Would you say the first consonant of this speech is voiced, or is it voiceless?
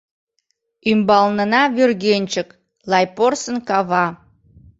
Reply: voiced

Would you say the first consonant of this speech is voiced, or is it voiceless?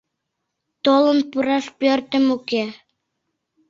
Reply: voiceless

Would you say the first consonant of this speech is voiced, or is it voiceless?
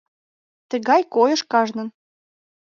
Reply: voiceless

